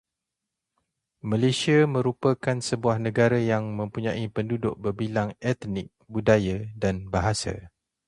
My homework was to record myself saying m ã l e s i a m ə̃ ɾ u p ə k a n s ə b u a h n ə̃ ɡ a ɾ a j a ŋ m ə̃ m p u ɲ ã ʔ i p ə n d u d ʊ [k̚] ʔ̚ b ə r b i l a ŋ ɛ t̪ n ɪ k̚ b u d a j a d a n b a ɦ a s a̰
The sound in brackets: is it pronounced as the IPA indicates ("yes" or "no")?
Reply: no